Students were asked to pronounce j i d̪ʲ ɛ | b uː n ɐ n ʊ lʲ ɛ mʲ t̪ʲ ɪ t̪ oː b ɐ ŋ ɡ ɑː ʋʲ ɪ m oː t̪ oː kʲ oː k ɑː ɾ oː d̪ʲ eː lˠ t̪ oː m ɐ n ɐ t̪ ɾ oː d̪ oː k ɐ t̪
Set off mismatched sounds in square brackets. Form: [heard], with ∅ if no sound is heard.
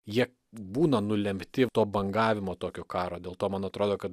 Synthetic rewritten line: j i [∅] ɛ | b uː n ɐ n ʊ lʲ ɛ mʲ t̪ʲ ɪ t̪ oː b ɐ ŋ ɡ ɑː ʋʲ ɪ m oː t̪ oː kʲ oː k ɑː ɾ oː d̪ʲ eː lˠ t̪ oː m ɐ n ɐ t̪ ɾ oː d̪ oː k ɐ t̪